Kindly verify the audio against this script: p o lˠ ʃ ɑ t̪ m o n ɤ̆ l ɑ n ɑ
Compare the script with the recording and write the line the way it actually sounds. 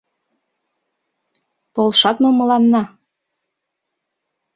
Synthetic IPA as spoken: p o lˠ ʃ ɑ t̪ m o m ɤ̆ l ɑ nː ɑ

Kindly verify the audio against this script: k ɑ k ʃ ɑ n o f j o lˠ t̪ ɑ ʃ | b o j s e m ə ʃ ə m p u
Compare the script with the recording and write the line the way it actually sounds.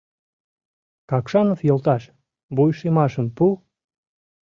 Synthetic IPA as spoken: k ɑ k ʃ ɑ n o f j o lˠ t̪ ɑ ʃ | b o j ʃ e m ɑ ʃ ə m p u

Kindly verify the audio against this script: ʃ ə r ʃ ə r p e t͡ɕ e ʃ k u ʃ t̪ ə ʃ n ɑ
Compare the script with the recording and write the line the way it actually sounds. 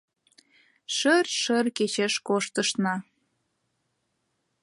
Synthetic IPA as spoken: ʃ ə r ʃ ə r k e t͡ɕ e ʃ k o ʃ t̪ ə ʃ n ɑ

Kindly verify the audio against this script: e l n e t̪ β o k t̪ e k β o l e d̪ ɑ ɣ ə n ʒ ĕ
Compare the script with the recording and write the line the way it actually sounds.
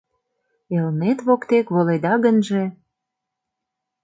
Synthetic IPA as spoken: e l n e t̪ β o k t̪ e k β o l e d̪ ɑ ɣ ə n ʒ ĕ

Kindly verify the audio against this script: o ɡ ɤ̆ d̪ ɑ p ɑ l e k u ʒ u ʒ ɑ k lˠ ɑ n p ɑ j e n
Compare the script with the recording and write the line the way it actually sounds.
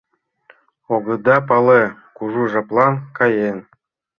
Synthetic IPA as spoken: o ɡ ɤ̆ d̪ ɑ p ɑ l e k u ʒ u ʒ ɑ p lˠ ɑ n k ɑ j e n

